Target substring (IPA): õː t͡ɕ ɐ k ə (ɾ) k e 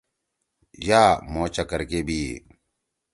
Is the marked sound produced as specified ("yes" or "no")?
yes